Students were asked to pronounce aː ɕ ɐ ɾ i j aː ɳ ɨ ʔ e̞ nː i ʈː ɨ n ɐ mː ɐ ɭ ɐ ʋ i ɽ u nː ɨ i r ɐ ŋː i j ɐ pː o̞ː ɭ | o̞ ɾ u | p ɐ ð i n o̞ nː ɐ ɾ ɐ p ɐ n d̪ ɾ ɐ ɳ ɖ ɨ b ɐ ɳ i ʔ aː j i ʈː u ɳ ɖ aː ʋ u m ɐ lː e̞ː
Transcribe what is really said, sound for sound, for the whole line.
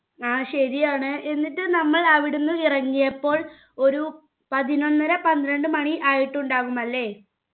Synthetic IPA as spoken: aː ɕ ɐ ɾ i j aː ɳ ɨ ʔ e̞ nː i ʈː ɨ n ɐ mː ɐ ɭ ɐ ʋ i ɽ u nː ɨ i r ɐ ŋː i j ɐ pː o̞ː ɭ | o̞ ɾ u | p ɐ ð i n o̞ nː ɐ ɾ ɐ p ɐ n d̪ ɾ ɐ ɳ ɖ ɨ m ɐ ɳ i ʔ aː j i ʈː u ɳ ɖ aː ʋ u m ɐ lː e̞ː

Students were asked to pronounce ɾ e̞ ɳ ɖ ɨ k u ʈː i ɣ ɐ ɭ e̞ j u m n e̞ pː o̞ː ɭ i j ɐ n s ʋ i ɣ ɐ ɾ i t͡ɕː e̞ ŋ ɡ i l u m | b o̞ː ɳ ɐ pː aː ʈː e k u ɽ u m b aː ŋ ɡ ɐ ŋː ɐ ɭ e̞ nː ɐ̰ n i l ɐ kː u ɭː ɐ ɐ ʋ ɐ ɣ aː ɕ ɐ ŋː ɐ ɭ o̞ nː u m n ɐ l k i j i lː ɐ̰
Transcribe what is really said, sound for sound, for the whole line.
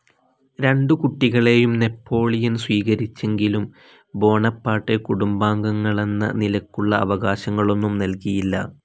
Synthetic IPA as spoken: ɾ e̞ ɳ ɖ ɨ k u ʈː i ɣ ɐ ɭ e̞ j u m n e̞ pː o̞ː ɭ i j ɐ n s ʋ iː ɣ ɐ ɾ i t͡ɕː e̞ ŋ ɡ i l u m | b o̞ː ɳ ɐ pː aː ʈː e k u ɽ u m b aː ŋ ɡ ɐ ŋː ɐ ɭ e̞ nː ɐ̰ n i l ɐ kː u ɭː ɐ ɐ ʋ ɐ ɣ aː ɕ ɐ ŋː ɐ ɭ o̞ nː u m n ɐ l k i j i lː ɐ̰

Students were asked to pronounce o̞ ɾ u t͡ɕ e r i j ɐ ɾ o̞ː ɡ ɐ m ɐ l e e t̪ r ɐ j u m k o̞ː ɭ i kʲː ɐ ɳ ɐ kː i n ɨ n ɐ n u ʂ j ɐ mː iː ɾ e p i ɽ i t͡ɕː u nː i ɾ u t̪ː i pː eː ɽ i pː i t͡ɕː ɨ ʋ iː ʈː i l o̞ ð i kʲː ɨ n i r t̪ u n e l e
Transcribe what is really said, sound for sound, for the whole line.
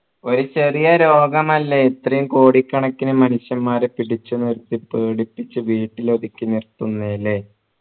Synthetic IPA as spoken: o̞ ɾ u t͡ɕ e r i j ɐ ɾ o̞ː ɡ ɐ m ɐ lː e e t̪ r ɐ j u m k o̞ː ɽ i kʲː ɐ ɳ ɐ kː i n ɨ m ɐ n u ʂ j ɐ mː aː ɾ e p i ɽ i t͡ɕː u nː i ɾ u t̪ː i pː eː ɽ i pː i t͡ɕː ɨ ʋ iː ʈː i l o̞ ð i kʲː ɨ n i r t̪ u nː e l e

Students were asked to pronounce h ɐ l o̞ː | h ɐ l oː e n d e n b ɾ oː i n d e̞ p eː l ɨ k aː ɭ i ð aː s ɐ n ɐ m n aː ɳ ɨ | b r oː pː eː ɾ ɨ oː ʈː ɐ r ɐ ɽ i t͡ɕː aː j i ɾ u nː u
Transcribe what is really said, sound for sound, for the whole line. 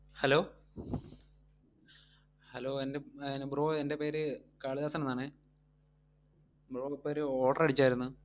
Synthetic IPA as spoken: h ɐ l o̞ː | h ɐ l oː e n d e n b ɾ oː e n d e̞ p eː ɾ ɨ k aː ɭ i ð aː s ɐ n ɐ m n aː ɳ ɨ | b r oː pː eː ɾ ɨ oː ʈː ɐ r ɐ ɽ i t͡ɕː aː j i ɾ u nː u

